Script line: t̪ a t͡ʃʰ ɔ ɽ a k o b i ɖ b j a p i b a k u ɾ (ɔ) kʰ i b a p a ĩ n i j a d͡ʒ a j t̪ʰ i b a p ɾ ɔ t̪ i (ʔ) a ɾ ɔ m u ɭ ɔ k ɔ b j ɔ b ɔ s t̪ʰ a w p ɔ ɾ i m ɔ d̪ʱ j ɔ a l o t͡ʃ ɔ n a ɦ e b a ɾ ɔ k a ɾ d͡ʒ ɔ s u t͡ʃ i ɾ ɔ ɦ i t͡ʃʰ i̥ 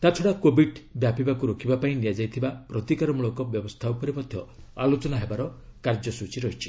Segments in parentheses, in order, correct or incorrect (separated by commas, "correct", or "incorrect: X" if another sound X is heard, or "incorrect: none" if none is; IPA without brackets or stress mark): incorrect: o, incorrect: k